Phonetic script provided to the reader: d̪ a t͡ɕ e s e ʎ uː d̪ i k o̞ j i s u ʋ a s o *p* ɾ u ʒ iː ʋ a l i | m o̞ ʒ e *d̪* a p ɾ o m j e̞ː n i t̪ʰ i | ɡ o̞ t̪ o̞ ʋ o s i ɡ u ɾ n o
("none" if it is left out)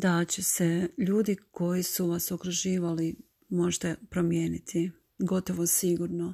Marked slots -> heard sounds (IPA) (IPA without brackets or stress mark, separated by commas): k, t̪